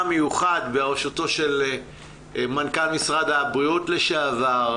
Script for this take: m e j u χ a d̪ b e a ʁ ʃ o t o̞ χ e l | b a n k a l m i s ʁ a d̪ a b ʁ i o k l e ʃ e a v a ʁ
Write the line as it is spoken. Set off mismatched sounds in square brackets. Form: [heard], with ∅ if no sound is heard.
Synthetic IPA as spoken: m e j u χ a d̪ b e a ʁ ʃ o t o̞ [ʃ] e l | [m] a n k a l m i s ʁ a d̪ a b ʁ i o [t] l e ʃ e a v a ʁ